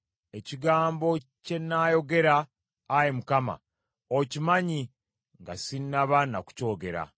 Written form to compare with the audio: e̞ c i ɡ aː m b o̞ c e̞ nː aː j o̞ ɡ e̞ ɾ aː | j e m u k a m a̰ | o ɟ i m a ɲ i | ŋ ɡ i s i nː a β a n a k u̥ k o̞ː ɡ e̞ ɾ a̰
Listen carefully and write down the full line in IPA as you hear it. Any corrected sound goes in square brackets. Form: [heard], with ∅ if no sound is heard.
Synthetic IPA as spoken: e̞ c i ɡ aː m b o̞ c e̞ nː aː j o̞ ɡ e̞ ɾ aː | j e m u k a m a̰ | o [c] i m a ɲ i | ŋ ɡ [a] s i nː a β a n a k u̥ [c] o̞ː ɡ e̞ ɾ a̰